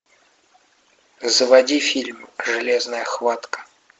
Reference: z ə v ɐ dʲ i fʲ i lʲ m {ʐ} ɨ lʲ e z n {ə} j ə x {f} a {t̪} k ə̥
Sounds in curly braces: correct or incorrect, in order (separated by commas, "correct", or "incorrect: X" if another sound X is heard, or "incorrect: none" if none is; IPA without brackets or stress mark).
correct, correct, incorrect: v, correct